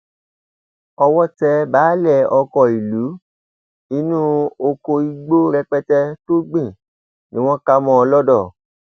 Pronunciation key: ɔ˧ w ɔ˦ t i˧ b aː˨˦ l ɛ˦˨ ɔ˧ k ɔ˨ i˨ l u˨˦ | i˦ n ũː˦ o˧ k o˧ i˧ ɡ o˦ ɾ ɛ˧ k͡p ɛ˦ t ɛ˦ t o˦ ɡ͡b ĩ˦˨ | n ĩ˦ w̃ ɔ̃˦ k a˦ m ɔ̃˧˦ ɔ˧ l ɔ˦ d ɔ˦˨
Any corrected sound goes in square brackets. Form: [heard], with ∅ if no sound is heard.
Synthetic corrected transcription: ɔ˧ w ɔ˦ t [ɛ˧] b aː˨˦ l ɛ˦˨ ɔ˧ k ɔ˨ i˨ l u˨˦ | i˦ n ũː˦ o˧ k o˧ i˧ [ɡ͡b] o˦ ɾ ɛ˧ k͡p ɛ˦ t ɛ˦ t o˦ ɡ͡b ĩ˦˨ | n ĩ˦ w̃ ɔ̃˦ k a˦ m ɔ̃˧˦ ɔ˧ l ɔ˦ d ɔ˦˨